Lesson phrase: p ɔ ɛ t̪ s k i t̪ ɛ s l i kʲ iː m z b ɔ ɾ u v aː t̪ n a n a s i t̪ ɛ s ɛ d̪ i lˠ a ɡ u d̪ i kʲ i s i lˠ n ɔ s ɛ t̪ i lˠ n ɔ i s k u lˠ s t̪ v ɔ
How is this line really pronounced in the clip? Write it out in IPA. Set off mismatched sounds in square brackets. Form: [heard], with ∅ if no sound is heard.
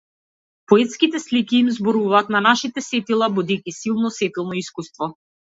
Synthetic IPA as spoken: p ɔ ɛ t̪ s k i t̪ ɛ s l i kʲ iː m z b ɔ ɾ u v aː t̪ n a n a [ʃ] i t̪ ɛ s ɛ [t̪] i lˠ a [b] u d̪ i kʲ i s i lˠ n ɔ s ɛ t̪ i lˠ n ɔ i s k u [∅] s t̪ v ɔ